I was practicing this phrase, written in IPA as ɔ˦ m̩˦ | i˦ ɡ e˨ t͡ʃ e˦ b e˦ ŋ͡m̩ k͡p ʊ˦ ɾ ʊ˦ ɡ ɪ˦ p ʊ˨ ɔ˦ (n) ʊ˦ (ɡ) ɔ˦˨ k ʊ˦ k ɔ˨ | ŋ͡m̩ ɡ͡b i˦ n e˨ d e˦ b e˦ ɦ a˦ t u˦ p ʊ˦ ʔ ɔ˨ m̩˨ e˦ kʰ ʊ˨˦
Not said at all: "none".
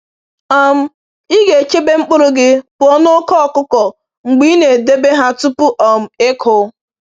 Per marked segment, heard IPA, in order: n, k

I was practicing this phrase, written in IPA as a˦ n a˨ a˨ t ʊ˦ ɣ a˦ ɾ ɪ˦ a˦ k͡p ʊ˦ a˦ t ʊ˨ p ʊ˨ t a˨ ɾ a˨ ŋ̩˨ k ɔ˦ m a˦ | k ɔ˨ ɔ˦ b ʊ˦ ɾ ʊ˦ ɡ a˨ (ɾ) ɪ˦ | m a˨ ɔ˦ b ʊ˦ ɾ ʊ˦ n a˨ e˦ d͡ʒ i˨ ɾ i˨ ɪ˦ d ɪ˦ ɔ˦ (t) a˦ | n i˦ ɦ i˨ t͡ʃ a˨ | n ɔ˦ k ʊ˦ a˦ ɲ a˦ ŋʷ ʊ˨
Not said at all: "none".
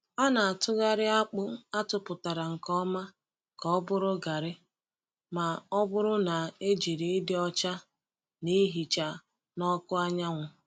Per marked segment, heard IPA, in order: ɾ, t͡ʃ

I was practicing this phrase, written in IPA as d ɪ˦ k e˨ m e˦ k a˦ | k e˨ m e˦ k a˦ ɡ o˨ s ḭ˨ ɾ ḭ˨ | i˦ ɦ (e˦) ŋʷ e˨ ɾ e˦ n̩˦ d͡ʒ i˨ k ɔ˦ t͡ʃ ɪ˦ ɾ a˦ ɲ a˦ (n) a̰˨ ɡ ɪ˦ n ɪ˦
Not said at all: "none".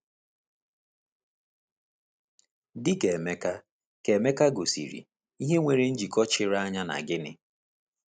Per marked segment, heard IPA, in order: e˦, n

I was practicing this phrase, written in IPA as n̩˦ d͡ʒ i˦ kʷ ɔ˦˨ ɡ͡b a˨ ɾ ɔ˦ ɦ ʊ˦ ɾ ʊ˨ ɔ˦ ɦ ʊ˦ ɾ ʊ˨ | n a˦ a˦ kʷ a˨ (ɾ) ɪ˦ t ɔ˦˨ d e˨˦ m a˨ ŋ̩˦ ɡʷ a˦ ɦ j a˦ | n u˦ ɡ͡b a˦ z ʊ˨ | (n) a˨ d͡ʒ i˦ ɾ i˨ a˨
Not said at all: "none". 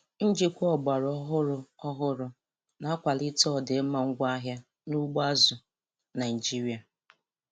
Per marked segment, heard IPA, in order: l, n

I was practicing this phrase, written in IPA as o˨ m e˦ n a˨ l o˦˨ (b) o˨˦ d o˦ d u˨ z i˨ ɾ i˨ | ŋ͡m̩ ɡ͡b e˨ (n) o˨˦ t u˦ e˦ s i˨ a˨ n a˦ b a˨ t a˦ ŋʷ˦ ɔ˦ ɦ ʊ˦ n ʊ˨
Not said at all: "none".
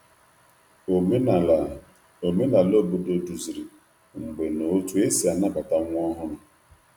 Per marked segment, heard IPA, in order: b, n

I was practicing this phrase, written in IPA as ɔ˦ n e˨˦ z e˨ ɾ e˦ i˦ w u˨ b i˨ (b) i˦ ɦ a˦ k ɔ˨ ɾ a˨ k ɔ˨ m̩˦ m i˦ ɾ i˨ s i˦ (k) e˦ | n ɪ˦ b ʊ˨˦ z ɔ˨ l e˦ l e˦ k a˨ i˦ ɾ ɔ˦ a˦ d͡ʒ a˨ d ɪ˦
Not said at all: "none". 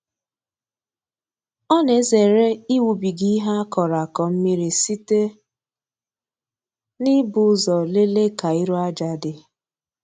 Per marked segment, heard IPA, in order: ɡ, t

